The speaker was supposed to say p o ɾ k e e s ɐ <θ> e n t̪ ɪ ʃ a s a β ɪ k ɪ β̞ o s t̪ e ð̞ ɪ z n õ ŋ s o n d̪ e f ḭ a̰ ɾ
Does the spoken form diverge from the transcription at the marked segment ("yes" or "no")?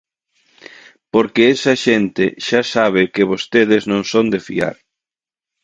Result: yes